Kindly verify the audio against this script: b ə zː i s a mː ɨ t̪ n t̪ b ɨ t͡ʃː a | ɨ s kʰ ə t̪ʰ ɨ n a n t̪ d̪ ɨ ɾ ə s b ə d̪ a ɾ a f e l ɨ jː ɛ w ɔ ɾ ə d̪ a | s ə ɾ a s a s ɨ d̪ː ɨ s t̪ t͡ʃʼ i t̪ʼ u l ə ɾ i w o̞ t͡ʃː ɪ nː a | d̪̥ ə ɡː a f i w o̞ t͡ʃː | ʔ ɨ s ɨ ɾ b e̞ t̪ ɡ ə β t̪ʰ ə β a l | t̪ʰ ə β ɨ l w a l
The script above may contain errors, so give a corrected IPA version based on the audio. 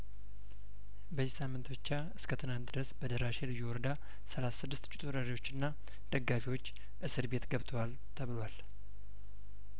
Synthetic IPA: b ə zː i s a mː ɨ n t̪ b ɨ t͡ʃː a | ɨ s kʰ ə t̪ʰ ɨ n a n t̪ d̪ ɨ ɾ ə s b ə d̪ ə ɾ a ʃ e l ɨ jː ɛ w ɔ ɾ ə d̪ a | s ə l a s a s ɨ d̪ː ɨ s t̪ t͡ʃʼ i t̪ʼ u ɾ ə ɾ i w o̞ t͡ʃː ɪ nː a | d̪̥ ə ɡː a f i w o̞ t͡ʃː | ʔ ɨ s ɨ ɾ b e̞ t̪ ɡ ə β t̪ʰ ə w a l | t̪ʰ ə β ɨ l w a l

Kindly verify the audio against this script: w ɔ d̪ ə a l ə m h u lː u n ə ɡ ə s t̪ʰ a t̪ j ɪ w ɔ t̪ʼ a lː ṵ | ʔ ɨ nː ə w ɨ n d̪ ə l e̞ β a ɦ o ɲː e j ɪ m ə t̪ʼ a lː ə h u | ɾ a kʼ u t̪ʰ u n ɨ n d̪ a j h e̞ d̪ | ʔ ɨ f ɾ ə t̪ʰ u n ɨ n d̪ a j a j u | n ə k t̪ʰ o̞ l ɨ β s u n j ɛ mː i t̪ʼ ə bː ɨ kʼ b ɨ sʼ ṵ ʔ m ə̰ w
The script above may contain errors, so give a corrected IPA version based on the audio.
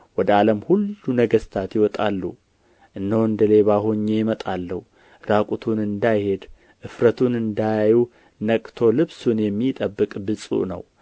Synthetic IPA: w ɔ d̪ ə a l ə m h u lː u n ə ɡ ə s t̪ʰ a t̪ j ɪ w ɔ t̪ʼ a lː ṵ | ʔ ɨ nː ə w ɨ n d̪ ə l e̞ β a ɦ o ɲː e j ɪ m ə t̪ʼ a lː ə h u | ɾ a kʼ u t̪ʰ u n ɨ n d̪ a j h e̞ d̪ | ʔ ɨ f ɾ ə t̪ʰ u n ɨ n d̪ a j a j u | n ə kʼ t̪ʰ o̞ l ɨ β s u n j ɛ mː i t̪ʼ ə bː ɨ kʼ b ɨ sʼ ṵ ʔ n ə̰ w

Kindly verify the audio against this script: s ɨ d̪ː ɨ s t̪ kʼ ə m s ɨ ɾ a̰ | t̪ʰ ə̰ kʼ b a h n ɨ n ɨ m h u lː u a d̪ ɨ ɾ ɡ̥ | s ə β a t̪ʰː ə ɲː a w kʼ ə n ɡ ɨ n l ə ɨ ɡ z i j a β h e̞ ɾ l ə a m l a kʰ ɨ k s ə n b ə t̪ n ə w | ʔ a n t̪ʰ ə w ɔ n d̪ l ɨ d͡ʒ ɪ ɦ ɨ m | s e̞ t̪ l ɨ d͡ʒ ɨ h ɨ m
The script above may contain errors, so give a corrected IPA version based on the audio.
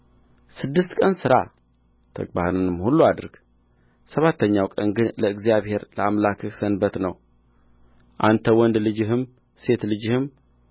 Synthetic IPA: s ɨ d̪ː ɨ s t̪ kʼ ə n s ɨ ɾ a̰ | t̪ʰ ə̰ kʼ b a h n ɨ n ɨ m h u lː u a d̪ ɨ ɾ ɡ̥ | s ə β a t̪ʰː ə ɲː a w kʼ ə n ɡ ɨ n l ə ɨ ɡ z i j a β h e̞ ɾ l ə a m l a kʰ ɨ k s ə n b ə t̪ n ə w | ʔ a n t̪ʰ ə w ɔ n d̪ l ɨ d͡ʒ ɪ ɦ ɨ m | s e̞ t̪ l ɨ d͡ʒ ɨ h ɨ m

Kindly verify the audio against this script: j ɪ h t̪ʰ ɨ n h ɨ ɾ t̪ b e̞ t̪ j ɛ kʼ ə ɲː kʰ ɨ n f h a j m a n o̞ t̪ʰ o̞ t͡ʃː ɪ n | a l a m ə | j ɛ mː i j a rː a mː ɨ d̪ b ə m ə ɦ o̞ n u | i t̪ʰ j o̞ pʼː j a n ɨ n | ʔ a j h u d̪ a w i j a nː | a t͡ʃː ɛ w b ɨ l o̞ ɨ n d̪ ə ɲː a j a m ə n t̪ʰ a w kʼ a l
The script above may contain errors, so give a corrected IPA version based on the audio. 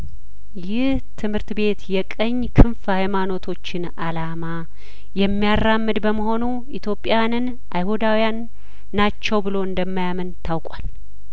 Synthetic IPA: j ɪ h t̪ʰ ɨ m h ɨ ɾ t̪ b e̞ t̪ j ɛ kʼ ə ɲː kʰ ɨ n f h a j m a n o̞ t̪ʰ o̞ t͡ʃː ɪ n | a l a m a | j ɛ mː i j a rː a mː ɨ d̪ b ə m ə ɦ o̞ n u | i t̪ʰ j o̞ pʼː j a n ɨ n | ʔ a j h u d̪ a w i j a nː | a t͡ʃː ɛ w b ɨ l o̞ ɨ n d̪ ə mː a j a m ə n t̪ʰ a w kʼ a l

